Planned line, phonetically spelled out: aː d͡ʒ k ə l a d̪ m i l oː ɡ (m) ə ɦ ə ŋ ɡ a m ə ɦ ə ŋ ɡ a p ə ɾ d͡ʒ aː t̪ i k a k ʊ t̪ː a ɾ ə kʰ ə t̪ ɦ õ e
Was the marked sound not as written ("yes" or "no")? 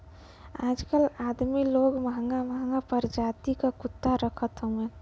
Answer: no